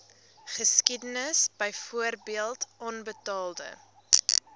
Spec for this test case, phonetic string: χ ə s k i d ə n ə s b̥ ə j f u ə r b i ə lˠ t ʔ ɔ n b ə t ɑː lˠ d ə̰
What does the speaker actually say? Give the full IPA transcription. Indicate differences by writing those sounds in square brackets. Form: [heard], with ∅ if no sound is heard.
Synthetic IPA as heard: χ ə s k i d ə n ə s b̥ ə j f u ə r b i ə lˠ t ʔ ɔ n b ə t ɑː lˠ d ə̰